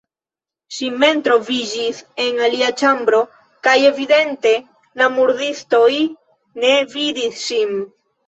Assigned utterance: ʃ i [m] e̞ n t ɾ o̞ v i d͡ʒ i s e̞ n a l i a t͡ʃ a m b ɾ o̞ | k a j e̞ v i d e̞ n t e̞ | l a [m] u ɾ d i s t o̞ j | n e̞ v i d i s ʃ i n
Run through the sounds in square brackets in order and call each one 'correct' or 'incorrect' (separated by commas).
correct, correct